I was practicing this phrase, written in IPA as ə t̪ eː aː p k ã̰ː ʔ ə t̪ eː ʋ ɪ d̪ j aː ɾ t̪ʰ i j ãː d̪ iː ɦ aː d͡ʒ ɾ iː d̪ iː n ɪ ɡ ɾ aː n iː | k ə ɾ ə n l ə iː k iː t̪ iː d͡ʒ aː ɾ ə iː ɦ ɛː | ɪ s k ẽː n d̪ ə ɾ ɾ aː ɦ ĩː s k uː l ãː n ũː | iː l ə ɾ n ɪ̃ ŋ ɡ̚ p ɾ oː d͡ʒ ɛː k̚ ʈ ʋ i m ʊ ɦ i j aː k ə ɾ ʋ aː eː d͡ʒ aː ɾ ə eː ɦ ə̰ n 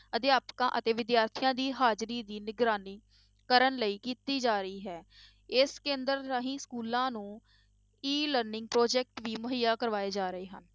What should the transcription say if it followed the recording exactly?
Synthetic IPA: ə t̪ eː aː p k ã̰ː ʔ ə t̪ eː ʋ ɪ d̪ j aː ɾ t̪ʰ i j ãː d̪ iː ɦ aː d͡ʒ ɾ iː d̪ iː n ɪ ɡ ɾ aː n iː | k ə ɾ ə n l ə iː k iː t̪ iː d͡ʒ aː ɾ ə iː ɦ ɛː | ɪ s k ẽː n d̪ ə ɾ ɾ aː ɦ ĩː s k uː l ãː n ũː | iː l ə ɾ n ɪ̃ ŋ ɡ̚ p ɾ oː d͡ʒ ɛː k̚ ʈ ʋ iː m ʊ ɦ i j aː k ə ɾ ʋ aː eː d͡ʒ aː ɾ ə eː ɦ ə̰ n

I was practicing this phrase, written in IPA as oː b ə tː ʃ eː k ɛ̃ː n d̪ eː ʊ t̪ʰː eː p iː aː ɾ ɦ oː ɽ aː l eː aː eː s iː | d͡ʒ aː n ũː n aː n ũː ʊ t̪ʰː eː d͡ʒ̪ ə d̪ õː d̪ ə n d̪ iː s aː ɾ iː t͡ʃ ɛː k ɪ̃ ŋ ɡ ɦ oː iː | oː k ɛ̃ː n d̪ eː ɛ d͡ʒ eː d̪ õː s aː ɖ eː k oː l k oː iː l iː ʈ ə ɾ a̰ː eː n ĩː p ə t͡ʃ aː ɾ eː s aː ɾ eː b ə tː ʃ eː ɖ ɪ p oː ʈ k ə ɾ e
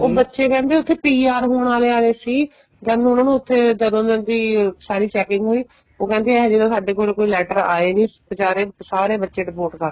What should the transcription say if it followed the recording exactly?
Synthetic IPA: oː b ə tː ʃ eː k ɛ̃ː n d̪ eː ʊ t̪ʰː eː p iː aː ɾ ɦ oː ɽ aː l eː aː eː s iː | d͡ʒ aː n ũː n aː n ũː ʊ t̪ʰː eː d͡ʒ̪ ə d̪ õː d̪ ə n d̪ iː s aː ɾ iː t͡ʃ ɛː k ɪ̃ ŋ ɡ ɦ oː iː | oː k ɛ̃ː n d̪ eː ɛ d͡ʒ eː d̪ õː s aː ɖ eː k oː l k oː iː l ɛː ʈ ə ɾ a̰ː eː n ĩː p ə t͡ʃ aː ɾ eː s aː ɾ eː b ə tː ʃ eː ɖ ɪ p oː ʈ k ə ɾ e

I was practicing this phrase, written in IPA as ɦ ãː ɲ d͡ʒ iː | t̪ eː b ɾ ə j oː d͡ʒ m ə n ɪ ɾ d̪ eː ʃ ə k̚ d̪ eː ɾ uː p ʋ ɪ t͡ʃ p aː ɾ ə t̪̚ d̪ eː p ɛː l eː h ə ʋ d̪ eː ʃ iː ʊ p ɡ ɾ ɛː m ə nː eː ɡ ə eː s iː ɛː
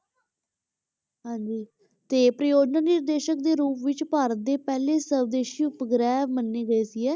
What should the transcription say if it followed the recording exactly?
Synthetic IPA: ɦ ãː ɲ d͡ʒ iː | t̪ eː p ɾ ə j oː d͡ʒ n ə n ɪ ɾ d̪ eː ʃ ə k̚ d̪ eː ɾ uː p ʋ ɪ t͡ʃ p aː ɾ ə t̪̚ d̪ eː p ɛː l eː s ə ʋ d̪ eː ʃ iː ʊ p ɡ ɾ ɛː m ə nː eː ɡ ə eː s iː ɛː

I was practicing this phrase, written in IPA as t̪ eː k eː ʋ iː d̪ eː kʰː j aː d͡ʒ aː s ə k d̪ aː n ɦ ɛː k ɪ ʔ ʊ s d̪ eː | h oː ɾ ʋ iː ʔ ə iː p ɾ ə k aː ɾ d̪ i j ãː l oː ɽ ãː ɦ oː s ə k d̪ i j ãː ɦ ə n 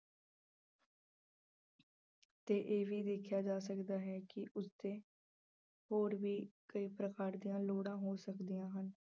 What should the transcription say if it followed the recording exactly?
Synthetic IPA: t̪ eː ʔ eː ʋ iː d̪ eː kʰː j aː d͡ʒ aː s ə k d̪ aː ɦ ɛː k ɪ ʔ ʊ s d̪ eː | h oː ɾ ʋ iː k ə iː p ɾ ə k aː ɾ d̪ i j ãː l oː ɽ ãː ɦ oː s ə k d̪ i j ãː ɦ ə n

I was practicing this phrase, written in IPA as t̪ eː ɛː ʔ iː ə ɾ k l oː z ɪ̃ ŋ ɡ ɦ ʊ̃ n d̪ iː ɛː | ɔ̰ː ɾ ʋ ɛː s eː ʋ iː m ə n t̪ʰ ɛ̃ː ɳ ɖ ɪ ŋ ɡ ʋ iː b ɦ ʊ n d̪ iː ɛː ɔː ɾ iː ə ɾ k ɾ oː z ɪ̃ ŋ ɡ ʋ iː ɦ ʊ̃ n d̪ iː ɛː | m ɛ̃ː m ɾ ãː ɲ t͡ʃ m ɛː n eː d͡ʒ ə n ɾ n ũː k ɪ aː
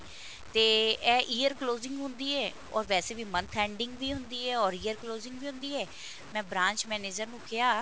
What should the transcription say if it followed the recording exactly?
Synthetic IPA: t̪ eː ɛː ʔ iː ə ɾ k l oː z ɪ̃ ŋ ɡ ɦ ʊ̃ n d̪ iː ɛː | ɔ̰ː ɾ ʋ ɛː s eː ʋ iː m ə n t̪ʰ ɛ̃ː ɳ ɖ ɪ ŋ ɡ ʋ iː ɦ ʊ n d̪ iː ɛː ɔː ɾ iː ə ɾ k l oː z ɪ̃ ŋ ɡ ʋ iː ɦ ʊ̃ n d̪ iː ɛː | m ɛ̃ː b ɾ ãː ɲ t͡ʃ m ɛː n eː d͡ʒ ə ɾ n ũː k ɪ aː

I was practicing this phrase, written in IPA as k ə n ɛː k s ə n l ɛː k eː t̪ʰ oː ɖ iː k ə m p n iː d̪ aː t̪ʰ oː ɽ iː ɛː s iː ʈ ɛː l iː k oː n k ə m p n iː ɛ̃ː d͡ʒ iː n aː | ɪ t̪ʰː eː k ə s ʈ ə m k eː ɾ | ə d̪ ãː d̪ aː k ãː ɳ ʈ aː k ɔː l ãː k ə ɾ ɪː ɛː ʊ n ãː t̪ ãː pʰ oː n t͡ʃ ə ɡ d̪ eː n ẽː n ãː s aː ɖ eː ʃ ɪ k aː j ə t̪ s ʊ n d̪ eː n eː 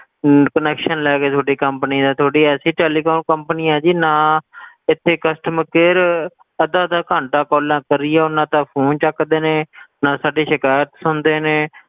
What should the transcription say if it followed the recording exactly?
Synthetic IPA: k ə n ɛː k ʃ ə n l ɛː k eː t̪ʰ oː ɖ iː k ə m p n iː d̪ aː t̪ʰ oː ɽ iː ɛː s iː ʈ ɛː l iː k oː n k ə m p n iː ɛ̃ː d͡ʒ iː n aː | ɪ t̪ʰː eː k ə s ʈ ə m k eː ɾ | ə d̪ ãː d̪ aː k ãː ɳ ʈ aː k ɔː l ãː k ə ɾ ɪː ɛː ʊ n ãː t̪ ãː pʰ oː n t͡ʃ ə k d̪ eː n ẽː n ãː s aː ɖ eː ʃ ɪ k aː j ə t̪ s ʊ n d̪ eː n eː

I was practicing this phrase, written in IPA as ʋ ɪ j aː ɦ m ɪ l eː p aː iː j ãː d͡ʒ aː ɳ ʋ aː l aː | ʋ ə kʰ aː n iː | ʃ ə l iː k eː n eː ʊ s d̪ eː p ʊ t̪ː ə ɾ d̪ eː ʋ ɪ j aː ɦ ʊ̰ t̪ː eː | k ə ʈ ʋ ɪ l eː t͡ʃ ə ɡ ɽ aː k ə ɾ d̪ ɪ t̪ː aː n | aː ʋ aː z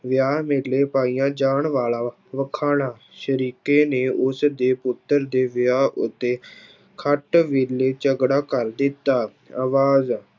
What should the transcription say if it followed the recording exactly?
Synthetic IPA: ʋ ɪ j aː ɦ m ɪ l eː p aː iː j ãː d͡ʒ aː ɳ ʋ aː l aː | ʋ ə kʰ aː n aː | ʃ ə ɾ iː k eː n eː ʊ s d̪ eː p ʊ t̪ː ə ɾ d̪ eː ʋ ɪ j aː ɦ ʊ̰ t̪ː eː | kʰ ə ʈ ʋ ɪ l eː t͡ʃ ə ɡ ɽ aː k ə ɾ d̪ ɪ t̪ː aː | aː ʋ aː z

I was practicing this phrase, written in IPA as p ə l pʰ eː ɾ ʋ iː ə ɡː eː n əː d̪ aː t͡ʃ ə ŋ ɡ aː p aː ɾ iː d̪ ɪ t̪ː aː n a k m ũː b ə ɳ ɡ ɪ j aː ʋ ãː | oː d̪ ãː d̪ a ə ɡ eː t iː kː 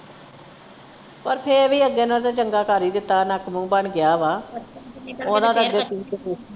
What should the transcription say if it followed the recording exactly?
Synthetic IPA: p ə ɾ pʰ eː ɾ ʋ iː ə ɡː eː n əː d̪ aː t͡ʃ ə ŋ ɡ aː k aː ɾ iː d̪ ɪ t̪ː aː n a k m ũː b ə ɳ ɡ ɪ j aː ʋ aː | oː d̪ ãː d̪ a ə ɡ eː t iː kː

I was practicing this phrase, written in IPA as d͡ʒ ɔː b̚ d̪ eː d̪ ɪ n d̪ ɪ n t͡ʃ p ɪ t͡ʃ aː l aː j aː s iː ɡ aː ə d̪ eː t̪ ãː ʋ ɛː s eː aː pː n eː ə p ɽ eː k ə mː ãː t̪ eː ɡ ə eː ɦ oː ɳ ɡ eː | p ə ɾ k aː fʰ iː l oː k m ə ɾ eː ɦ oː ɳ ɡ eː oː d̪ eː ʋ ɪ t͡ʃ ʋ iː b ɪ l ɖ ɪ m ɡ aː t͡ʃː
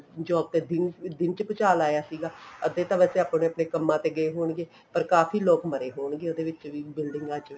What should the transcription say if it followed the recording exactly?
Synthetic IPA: d͡ʒ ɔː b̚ t̪ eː d̪ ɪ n d̪ ɪ n t͡ʃ p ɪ t͡ʃ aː l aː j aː s iː ɡ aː ə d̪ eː t̪ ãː ʋ ɛː s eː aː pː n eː ə p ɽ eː k ə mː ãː t̪ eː ɡ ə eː ɦ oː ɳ ɡ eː | p ə ɾ k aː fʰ iː l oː k m ə ɾ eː ɦ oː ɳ ɡ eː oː d̪ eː ʋ ɪ t͡ʃ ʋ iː b ɪ l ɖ ɪ ŋ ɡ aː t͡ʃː

